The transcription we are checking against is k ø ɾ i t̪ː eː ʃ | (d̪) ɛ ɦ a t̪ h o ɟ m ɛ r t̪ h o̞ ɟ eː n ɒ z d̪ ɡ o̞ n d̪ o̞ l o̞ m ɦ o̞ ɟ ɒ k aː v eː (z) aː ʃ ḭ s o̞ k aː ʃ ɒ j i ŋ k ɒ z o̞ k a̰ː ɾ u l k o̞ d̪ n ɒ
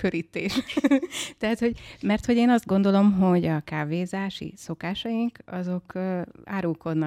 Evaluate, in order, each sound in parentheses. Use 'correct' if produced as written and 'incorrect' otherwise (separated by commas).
incorrect, correct